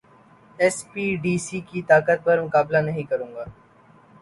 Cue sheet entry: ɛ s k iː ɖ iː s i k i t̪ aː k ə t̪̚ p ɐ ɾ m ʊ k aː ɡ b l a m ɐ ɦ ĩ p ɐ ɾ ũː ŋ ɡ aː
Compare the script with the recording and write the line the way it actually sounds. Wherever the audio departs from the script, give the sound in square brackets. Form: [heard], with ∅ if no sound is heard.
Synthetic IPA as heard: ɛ s [p] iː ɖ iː s i k i t̪ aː k ə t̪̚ p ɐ ɾ m ʊ k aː [∅] b l a [n] ɐ ɦ ĩ [k] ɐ ɾ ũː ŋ ɡ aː